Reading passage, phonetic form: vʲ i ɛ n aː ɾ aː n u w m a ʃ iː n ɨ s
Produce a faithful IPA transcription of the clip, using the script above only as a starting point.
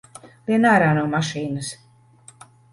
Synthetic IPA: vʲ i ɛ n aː ɾ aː n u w m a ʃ iː n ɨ s